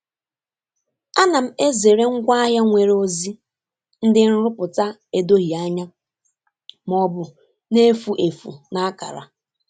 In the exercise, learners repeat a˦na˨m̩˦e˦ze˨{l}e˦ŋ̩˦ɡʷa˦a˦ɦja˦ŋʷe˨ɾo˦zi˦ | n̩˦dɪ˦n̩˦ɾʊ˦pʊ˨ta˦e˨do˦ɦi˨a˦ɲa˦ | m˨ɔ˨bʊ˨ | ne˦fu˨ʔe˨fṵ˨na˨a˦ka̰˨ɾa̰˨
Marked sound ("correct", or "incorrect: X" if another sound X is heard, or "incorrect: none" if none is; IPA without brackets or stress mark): incorrect: ɾ